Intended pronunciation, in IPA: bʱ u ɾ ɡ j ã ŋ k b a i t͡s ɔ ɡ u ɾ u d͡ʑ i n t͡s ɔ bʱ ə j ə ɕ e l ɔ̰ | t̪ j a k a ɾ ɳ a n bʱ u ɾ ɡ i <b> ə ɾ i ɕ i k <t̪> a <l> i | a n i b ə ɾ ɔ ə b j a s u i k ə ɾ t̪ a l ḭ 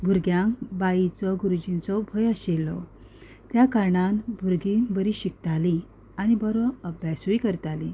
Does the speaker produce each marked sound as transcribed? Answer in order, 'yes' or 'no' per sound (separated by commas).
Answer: yes, yes, yes